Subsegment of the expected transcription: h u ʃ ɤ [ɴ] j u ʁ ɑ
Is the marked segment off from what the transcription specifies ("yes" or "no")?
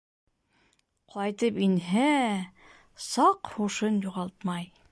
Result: yes